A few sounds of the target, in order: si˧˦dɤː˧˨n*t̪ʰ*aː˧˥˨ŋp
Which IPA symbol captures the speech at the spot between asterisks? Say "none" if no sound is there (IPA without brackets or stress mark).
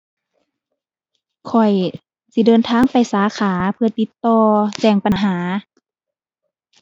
t̪ʰ